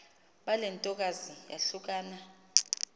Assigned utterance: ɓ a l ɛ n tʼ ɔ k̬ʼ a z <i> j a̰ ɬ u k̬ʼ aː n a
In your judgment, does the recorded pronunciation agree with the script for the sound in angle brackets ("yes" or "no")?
yes